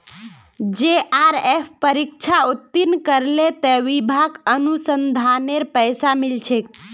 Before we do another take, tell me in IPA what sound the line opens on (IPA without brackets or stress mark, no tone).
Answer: d͡ʒ